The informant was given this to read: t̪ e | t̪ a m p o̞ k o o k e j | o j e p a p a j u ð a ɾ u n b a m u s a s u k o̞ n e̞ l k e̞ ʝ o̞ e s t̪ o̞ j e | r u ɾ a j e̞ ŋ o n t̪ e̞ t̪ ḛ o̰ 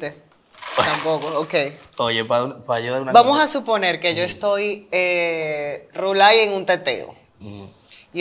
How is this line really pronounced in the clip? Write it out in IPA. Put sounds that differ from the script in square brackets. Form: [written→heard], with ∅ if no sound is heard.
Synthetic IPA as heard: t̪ e | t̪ a m p o̞ k o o k e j | o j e p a p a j u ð a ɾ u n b a m [u→o] s a s u [k→p] o̞ n e̞ [l→ɾ] k e̞ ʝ o̞ e s t̪ o̞ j e | r u [ɾ→l] a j e̞ ŋ [o→u] n t̪ e̞ t̪ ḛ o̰